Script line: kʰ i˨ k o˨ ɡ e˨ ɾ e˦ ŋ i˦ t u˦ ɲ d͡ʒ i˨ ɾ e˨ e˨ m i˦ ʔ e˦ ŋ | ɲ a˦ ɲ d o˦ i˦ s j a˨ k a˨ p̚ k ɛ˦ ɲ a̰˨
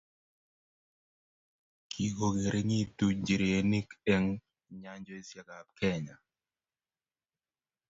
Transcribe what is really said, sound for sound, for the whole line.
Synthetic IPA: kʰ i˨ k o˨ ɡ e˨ ɾ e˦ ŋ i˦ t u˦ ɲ d͡ʒ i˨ ɾ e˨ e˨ n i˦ k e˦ ŋ | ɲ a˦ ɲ d͡ʒ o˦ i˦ s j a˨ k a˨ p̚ k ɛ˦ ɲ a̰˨